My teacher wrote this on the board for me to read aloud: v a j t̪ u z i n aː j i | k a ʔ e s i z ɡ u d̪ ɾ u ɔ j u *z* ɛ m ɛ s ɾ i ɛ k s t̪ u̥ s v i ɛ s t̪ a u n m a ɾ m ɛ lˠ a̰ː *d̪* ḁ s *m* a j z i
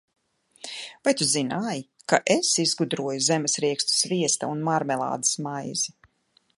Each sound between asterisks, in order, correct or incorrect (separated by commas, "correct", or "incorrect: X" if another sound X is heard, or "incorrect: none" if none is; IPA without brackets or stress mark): correct, correct, correct